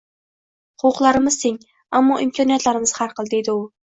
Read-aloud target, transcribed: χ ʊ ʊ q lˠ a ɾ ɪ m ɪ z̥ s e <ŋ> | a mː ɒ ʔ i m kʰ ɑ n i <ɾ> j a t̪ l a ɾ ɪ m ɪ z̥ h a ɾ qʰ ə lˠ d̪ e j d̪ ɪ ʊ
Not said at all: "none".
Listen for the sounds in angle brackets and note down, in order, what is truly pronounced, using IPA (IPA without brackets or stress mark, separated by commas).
ŋ, none